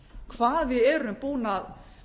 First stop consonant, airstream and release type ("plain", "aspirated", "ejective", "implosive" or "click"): aspirated